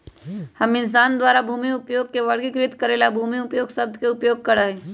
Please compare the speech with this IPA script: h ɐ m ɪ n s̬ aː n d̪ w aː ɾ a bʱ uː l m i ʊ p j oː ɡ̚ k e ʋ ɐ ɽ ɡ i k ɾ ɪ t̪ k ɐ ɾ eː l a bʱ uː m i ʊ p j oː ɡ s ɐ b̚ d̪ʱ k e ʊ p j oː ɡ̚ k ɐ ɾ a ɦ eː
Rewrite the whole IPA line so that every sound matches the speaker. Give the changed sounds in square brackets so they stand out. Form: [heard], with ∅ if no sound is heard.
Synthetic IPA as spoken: h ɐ m ɪ n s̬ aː n d̪ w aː ɾ a bʱ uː [∅] m i ʊ p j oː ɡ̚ k e ʋ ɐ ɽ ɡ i k ɾ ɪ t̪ k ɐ ɾ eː l a bʱ uː m i ʊ p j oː ɡ s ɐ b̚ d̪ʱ k e ʊ p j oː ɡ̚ k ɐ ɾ a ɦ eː